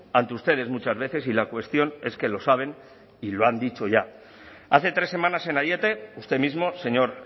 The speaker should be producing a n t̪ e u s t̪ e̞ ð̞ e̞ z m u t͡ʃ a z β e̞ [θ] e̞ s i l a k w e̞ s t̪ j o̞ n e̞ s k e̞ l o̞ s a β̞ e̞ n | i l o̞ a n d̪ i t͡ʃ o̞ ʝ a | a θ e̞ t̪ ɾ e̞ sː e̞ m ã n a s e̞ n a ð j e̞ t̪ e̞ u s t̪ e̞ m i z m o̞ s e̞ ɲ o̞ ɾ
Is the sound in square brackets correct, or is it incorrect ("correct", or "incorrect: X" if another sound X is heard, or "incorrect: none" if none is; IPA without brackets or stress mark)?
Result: correct